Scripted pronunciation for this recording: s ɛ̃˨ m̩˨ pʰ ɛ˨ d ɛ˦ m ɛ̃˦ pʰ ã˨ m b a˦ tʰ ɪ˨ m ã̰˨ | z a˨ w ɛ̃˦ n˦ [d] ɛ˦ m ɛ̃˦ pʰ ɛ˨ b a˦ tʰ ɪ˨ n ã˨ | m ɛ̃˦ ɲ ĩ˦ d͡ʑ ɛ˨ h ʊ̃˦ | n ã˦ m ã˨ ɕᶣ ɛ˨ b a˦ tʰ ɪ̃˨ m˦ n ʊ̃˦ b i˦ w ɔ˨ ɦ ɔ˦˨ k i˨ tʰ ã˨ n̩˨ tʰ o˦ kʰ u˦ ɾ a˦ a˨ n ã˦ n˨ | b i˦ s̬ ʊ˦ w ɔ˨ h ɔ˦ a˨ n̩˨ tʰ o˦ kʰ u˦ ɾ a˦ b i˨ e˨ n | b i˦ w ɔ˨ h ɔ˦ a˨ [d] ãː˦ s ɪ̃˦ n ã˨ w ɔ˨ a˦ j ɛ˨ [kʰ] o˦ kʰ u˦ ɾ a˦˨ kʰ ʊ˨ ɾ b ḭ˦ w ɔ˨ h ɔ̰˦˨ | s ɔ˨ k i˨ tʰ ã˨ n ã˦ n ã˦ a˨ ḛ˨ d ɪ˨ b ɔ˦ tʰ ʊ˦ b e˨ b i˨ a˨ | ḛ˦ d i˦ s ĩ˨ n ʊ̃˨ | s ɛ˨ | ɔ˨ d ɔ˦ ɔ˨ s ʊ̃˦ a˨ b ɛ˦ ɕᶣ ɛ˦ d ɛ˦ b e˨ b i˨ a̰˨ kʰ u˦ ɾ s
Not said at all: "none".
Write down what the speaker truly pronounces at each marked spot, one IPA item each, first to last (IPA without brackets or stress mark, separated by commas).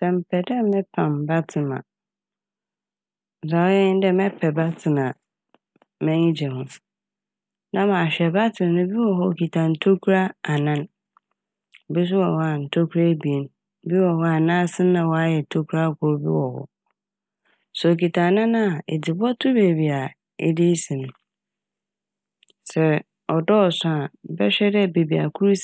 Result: d, n, tʰ